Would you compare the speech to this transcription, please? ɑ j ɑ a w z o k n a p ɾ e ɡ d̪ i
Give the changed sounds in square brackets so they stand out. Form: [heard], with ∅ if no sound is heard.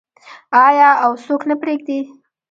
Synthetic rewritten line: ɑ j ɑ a w [s] o k n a p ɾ e ɡ d̪ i